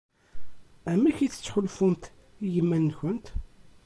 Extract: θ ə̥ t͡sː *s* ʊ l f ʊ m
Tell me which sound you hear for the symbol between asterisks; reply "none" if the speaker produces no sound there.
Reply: ħ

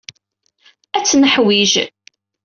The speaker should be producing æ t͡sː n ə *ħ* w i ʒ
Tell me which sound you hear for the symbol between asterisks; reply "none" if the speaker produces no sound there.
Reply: ħ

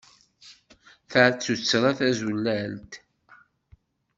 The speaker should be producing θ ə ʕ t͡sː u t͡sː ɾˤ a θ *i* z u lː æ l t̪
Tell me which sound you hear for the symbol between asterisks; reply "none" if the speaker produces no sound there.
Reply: æ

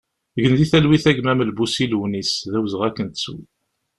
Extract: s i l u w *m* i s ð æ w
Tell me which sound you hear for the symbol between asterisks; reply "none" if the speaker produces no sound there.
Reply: n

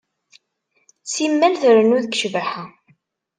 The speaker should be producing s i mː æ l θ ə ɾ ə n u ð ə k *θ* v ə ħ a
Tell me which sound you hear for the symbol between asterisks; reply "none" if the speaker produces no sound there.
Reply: ʃ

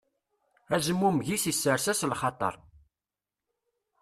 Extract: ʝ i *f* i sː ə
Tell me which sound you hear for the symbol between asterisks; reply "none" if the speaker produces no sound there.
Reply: s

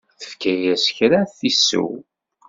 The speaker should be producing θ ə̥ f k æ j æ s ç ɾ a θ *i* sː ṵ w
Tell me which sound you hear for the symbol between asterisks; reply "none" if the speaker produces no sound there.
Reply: i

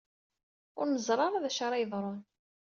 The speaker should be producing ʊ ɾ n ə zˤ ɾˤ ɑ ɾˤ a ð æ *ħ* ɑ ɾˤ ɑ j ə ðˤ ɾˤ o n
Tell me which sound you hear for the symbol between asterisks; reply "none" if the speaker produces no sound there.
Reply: ʃ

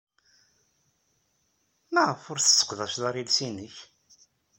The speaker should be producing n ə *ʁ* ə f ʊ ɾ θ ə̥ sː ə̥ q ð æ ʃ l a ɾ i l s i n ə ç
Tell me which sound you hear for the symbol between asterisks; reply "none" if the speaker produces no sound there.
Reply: ʁ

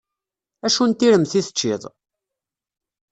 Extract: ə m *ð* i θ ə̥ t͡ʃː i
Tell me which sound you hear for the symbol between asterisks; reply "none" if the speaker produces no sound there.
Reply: θ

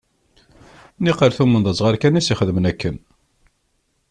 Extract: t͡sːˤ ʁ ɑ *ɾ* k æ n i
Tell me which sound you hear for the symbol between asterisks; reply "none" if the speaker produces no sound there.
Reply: ɾ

